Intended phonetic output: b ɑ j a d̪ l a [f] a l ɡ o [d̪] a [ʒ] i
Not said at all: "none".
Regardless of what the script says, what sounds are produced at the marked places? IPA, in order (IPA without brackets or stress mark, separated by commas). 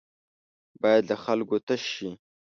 x, t̪, ʃ